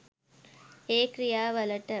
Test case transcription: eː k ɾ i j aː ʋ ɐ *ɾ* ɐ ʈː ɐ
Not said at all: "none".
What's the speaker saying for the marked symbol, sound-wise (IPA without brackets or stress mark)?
l